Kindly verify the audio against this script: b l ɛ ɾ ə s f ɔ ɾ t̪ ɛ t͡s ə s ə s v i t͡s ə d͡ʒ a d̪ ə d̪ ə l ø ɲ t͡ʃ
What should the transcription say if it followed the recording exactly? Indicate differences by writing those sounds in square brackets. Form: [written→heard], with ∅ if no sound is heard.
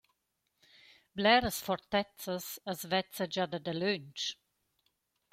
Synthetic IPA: b l ɛ ɾ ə s f ɔ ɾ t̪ ɛ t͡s ə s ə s v [i→ɛ] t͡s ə d͡ʒ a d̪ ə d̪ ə l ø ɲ t͡ʃ